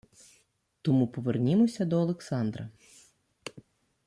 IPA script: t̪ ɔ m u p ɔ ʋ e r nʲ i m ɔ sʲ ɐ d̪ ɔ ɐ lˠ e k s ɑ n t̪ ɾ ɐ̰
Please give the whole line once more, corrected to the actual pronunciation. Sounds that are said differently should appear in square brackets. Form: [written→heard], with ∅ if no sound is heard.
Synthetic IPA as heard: t̪ ɔ m u p ɔ ʋ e r nʲ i m ɔ sʲ ɐ d̪ ɔ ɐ lˠ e k s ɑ n [t̪→d̪] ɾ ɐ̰